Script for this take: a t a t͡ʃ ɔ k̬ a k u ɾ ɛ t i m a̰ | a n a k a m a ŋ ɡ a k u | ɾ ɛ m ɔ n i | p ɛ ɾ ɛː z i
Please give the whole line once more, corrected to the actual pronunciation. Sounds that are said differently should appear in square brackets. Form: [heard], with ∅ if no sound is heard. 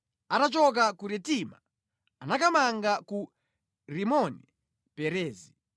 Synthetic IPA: a t a t͡ʃ ɔ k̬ a k u ɾ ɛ t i m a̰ | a n a k a m a ŋ ɡ a k u | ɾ [i] m ɔ n i | p ɛ ɾ ɛː z i